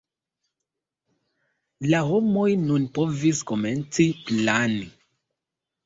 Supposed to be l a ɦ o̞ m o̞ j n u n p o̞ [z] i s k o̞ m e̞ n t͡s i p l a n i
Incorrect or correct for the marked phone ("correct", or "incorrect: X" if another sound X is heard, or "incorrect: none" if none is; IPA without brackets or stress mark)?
incorrect: v